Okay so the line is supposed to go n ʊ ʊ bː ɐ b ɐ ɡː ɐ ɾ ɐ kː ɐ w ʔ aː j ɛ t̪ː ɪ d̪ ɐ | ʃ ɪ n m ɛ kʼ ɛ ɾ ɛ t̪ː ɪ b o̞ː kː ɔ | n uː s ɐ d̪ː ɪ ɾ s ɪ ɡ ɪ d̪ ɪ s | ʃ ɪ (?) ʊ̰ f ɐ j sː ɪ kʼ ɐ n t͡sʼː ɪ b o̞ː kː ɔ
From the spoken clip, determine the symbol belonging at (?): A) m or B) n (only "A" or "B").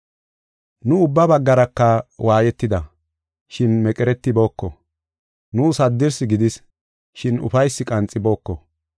B